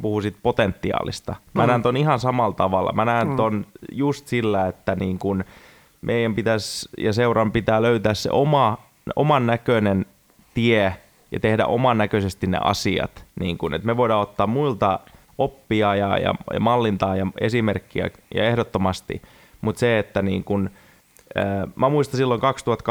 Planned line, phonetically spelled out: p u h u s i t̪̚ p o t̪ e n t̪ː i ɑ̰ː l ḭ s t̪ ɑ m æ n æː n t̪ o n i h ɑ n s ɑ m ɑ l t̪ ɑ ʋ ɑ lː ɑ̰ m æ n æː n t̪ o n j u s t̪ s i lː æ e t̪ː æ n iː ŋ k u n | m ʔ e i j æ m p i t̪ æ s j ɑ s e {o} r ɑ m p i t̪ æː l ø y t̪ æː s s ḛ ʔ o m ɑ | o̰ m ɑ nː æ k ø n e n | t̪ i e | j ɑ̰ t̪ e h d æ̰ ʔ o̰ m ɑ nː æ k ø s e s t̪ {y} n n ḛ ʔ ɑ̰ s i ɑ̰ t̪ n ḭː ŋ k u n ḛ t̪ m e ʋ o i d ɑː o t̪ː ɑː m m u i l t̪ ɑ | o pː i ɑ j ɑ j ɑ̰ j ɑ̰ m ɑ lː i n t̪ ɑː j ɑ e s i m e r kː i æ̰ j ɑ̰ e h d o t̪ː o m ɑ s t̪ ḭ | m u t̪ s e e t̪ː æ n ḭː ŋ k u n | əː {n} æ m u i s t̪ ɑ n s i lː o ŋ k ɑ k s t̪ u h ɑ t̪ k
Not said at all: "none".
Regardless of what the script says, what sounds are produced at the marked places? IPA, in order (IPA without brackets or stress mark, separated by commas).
u, i, m